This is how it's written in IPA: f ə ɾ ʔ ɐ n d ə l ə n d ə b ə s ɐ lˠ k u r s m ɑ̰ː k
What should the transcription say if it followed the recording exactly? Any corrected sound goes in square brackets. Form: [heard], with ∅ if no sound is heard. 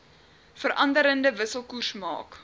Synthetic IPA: f ə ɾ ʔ ɐ n d ə [ɾ] ə n d ə [v] ə s [ə] lˠ k u r s m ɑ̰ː k